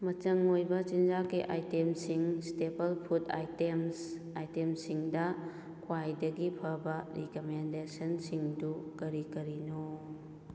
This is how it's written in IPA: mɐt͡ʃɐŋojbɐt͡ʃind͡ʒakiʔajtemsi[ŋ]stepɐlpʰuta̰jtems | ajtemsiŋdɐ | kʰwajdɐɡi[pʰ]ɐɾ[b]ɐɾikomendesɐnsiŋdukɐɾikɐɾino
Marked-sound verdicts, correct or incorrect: correct, correct, correct

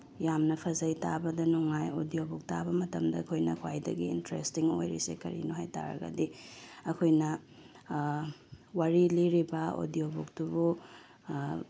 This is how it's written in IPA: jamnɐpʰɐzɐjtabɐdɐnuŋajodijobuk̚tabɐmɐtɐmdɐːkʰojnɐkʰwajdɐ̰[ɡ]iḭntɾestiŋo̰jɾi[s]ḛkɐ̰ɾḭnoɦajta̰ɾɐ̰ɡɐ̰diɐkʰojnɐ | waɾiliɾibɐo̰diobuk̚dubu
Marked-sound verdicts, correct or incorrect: correct, correct

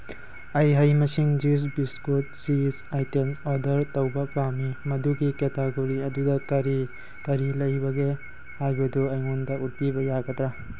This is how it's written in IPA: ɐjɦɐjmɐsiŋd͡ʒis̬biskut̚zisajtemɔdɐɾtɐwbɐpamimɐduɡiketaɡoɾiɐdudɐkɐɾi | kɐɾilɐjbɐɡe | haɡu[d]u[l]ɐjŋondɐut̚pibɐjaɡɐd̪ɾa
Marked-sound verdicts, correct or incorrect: correct, incorrect

